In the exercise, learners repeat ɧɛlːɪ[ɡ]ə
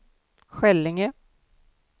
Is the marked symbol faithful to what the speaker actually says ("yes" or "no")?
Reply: no